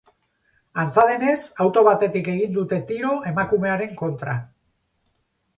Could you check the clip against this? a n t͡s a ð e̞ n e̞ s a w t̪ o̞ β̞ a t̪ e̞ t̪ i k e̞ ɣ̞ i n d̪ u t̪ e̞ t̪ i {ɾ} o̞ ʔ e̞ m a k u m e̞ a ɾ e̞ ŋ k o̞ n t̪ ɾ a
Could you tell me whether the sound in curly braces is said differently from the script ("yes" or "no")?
no